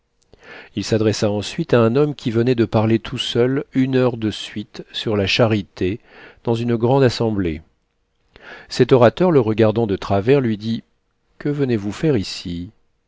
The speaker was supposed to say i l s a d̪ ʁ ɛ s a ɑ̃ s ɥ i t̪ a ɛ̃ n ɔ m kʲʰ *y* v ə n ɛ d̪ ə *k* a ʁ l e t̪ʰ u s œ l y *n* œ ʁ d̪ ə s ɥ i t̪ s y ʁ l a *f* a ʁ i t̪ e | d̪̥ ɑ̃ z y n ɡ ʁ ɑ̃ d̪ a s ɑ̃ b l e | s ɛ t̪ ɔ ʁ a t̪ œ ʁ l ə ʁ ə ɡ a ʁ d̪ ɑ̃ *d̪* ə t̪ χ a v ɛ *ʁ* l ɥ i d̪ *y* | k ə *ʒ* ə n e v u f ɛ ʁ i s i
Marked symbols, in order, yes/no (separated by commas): no, no, yes, no, yes, yes, no, no